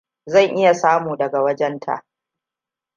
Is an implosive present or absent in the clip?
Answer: absent